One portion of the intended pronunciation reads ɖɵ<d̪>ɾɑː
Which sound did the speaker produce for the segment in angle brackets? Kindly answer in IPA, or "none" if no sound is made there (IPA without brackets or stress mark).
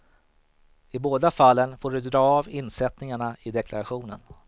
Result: d̪